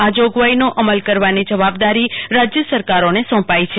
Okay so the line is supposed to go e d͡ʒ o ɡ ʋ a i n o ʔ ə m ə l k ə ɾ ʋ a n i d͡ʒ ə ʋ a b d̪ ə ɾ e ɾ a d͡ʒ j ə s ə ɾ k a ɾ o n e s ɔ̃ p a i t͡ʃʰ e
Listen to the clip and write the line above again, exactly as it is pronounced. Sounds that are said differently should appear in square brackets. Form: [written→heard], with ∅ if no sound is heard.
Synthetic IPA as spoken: [e→a] d͡ʒ o ɡ ʋ a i n o ʔ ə m ə l k ə ɾ ʋ a n i d͡ʒ ə ʋ a b d̪ [ə→a] ɾ [e→i] ɾ a d͡ʒ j ə s ə ɾ k a ɾ o n e s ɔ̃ p a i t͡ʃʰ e